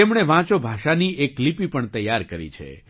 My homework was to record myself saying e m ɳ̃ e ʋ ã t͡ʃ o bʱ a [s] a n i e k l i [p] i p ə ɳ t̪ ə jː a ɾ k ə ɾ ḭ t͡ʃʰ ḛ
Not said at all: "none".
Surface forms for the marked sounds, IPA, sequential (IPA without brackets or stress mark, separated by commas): ʃ, p